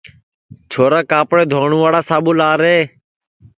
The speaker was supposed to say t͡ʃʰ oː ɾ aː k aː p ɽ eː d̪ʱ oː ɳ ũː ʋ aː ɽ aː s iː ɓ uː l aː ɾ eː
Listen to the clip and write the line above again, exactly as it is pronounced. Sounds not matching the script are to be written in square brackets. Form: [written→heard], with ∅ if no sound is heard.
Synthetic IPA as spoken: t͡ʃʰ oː ɾ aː k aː p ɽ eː d̪ʱ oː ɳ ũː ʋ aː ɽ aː s [iː→aː] ɓ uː l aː ɾ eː